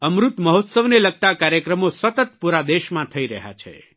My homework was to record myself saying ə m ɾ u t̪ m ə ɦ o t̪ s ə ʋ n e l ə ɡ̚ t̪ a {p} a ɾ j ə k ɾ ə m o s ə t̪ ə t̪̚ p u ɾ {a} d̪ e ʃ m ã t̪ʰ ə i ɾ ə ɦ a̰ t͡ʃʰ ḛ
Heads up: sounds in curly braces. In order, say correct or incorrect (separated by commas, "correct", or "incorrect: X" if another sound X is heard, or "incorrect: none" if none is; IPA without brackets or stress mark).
incorrect: k, correct